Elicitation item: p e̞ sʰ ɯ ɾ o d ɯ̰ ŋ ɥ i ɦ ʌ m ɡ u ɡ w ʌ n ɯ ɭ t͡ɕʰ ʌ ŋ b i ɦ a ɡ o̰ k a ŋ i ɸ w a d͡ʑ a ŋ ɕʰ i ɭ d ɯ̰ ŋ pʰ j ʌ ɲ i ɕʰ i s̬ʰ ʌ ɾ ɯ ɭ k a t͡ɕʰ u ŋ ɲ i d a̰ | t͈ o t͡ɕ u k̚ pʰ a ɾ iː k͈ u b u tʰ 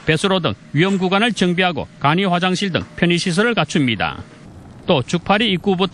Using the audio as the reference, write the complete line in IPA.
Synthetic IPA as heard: p e̞ sʰ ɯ ɾ o d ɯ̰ ŋ ɥ i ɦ ʌ m ɡ u ɡ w a n ɯ ɭ t͡ɕ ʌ ŋ b i ɦ a ɡ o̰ k a ɲ i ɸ w a d͡ʑ a ŋ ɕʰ i ɭ d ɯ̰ ŋ pʰ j ʌ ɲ i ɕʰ i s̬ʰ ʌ ɾ ɯ ɭ k a t͡ɕʰ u m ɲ i d a̰ | t͈ o t͡ɕ u k̚ pʰ a ɾ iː k͈ u b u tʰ